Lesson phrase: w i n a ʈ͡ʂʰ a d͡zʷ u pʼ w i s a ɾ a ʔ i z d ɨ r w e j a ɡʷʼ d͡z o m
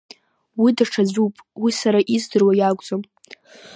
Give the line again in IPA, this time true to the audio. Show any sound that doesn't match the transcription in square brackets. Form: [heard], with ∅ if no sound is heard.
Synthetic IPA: w i [d] a ʈ͡ʂʰ a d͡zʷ u pʼ w i s a ɾ a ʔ i z d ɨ r w [a] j a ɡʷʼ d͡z o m